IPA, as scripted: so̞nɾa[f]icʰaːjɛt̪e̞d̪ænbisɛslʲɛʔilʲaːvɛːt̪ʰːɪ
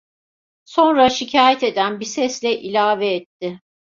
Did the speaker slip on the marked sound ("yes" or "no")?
yes